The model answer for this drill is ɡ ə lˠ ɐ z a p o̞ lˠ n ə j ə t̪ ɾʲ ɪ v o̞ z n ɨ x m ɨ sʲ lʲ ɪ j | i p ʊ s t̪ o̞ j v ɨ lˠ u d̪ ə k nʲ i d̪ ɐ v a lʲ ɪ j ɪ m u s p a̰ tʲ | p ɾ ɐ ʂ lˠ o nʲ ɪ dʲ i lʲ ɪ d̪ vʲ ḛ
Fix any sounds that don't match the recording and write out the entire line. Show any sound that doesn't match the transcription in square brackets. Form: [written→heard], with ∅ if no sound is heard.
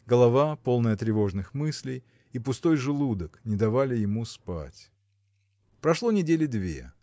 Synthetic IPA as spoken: ɡ ə lˠ ɐ [z→v] a p o̞ lˠ n ə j ə t̪ ɾʲ ɪ v o̞ [z→ʐ] n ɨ x m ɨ sʲ lʲ ɪ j | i p ʊ s t̪ o̞ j [v→ʐ] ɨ lˠ u d̪ ə k nʲ [i→ɪ] d̪ ɐ v a lʲ ɪ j ɪ m u s p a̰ tʲ | p ɾ ɐ ʂ lˠ o nʲ ɪ dʲ [i→e] lʲ ɪ d̪ vʲ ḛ